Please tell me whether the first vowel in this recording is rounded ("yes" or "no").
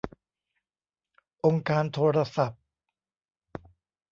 yes